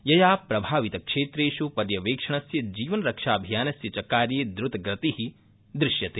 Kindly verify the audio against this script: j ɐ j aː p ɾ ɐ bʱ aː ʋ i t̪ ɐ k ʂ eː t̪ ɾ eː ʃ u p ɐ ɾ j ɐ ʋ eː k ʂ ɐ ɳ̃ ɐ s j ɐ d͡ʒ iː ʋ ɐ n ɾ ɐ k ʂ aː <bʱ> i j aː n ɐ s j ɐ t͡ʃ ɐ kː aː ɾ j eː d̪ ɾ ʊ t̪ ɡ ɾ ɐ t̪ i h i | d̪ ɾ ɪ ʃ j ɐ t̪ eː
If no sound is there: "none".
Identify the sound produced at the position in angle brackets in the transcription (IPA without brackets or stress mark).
bʱ